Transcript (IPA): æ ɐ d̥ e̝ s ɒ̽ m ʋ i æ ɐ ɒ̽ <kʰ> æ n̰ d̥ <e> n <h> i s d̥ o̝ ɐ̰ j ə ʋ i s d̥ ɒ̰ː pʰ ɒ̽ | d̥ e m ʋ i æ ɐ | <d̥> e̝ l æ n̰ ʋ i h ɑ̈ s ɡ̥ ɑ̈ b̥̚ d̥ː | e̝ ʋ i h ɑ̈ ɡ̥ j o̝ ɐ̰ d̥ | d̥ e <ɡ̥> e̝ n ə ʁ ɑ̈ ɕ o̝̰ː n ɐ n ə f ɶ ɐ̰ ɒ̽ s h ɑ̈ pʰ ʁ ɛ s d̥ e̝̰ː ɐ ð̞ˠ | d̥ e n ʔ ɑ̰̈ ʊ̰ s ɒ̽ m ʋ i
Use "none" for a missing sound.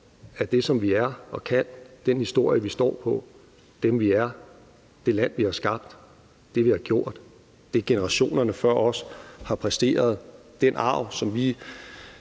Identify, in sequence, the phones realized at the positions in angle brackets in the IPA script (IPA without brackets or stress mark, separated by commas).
kʰ, e, h, d̥, ɡ̥